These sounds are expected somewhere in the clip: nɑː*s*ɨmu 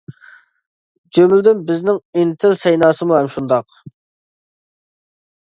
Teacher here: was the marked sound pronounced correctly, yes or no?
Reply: yes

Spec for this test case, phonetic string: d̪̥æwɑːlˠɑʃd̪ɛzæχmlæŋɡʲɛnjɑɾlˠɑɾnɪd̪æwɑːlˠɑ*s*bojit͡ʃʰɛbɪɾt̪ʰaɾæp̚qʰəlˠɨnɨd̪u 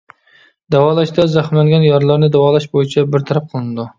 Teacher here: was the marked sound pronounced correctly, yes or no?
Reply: no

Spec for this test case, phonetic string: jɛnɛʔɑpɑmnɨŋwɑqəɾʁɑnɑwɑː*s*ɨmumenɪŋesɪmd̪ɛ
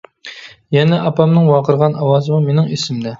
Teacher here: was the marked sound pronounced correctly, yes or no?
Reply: no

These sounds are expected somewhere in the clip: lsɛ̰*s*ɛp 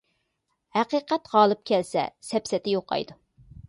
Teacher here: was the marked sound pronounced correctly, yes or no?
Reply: yes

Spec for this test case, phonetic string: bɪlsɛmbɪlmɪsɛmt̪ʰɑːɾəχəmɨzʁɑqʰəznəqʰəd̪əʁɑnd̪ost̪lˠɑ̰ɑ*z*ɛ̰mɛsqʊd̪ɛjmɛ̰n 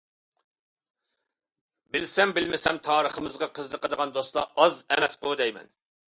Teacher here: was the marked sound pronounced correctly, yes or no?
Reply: yes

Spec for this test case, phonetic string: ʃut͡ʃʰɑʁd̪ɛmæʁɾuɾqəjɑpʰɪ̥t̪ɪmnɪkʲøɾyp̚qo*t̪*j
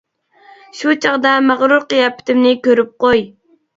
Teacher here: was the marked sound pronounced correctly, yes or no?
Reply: no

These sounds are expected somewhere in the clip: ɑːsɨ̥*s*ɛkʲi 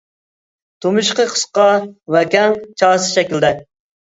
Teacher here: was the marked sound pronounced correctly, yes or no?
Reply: no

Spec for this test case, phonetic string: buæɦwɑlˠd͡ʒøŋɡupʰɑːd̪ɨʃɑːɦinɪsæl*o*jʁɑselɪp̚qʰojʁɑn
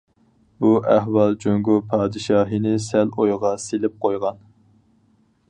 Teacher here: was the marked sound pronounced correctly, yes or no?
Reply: yes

